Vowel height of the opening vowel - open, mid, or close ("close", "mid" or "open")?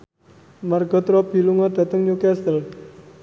open